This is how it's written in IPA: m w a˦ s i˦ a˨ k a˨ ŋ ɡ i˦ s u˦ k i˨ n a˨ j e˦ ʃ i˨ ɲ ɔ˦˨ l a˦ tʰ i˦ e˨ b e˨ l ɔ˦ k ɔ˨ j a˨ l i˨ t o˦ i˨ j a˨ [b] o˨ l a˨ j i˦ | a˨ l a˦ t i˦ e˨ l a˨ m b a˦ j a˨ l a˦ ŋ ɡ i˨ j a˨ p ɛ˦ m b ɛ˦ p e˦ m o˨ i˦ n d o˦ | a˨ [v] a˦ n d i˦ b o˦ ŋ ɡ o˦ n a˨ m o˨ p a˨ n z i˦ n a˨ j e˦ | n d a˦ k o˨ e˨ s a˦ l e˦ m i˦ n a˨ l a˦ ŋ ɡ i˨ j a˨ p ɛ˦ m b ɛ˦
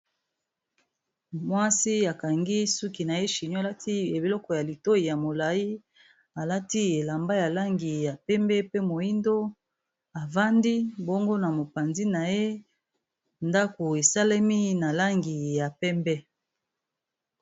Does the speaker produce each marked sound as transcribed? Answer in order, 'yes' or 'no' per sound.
no, yes

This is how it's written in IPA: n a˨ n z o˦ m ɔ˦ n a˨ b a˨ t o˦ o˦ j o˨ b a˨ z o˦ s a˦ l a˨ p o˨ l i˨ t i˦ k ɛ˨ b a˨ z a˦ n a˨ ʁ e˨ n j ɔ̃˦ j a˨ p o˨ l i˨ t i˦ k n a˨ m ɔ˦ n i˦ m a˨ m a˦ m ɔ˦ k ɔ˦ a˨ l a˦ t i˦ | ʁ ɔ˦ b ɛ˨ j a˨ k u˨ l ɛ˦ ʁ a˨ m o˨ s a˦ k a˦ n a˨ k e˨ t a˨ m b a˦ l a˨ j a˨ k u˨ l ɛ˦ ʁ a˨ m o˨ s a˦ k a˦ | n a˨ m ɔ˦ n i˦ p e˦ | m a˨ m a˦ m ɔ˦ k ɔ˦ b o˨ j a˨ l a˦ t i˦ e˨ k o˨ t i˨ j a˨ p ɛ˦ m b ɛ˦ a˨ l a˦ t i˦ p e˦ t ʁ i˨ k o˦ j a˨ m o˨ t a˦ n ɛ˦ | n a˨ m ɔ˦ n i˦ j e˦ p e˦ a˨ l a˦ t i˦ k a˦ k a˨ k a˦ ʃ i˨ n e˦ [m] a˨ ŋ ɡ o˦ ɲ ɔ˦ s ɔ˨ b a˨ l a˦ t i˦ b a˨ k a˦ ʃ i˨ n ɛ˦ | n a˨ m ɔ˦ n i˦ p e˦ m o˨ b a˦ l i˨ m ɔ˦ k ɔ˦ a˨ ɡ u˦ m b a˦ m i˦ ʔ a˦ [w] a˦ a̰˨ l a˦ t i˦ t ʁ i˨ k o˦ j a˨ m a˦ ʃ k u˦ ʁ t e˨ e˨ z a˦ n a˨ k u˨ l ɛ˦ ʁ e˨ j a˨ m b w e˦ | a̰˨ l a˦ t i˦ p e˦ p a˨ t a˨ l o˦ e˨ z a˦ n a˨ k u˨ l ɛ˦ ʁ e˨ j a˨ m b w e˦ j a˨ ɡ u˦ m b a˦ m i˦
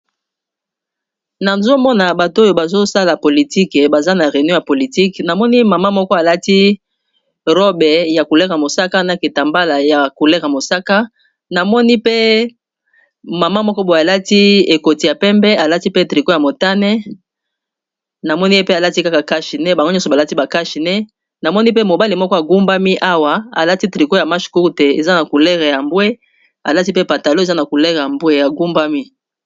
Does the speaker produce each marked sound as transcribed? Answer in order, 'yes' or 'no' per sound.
no, yes

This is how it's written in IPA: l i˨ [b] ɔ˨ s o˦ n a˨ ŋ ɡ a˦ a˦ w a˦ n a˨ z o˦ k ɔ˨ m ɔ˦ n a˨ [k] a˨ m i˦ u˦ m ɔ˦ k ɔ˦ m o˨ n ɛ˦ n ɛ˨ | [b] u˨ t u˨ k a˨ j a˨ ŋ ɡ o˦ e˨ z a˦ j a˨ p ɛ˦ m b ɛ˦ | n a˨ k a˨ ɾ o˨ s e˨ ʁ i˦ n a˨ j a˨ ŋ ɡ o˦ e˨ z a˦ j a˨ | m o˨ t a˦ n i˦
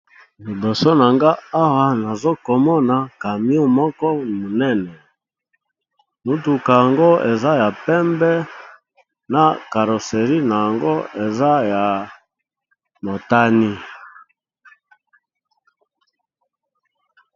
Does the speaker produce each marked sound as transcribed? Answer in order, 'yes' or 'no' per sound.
yes, yes, no

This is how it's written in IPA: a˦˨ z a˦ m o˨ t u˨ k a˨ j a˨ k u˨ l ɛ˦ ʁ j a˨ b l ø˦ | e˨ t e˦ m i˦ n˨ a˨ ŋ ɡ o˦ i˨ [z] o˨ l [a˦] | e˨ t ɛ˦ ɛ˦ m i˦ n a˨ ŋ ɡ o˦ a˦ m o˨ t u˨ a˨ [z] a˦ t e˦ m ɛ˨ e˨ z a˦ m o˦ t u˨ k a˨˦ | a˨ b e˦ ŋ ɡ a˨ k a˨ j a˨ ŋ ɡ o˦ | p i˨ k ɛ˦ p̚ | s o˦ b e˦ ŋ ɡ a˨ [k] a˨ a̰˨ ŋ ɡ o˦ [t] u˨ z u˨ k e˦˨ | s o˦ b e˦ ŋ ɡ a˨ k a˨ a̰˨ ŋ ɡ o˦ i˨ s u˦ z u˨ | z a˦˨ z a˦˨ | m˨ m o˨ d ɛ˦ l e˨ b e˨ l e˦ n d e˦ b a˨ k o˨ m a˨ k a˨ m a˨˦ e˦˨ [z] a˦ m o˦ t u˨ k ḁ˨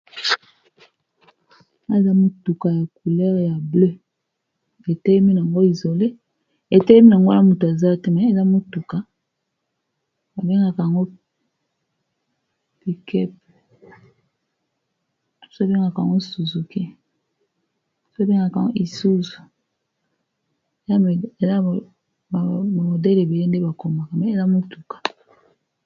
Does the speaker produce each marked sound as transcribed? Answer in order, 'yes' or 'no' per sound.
yes, no, yes, yes, no, yes

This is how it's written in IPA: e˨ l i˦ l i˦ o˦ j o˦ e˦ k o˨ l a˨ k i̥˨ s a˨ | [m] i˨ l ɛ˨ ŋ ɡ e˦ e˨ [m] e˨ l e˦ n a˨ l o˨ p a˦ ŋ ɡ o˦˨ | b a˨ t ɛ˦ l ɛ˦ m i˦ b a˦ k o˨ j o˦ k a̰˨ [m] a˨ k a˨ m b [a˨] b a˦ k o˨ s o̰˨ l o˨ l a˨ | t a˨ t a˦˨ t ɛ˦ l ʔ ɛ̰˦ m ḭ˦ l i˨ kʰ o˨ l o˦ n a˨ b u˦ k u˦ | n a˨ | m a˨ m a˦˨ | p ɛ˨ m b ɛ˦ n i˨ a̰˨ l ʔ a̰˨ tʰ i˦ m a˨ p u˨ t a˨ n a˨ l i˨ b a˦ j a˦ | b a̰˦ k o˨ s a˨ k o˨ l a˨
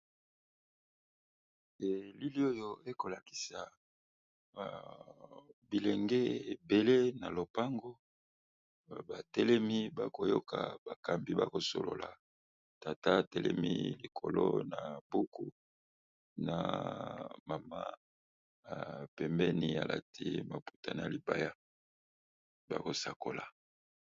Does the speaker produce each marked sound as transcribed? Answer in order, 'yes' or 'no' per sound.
no, no, no, no

